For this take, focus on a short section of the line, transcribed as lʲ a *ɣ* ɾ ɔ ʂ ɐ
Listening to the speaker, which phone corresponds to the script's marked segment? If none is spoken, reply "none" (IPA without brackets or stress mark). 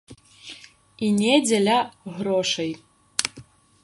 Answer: ɣ